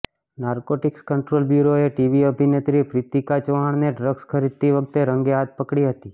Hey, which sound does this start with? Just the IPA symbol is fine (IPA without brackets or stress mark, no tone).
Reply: n